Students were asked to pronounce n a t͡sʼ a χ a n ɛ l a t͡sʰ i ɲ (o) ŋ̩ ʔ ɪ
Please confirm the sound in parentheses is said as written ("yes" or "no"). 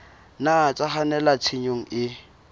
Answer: yes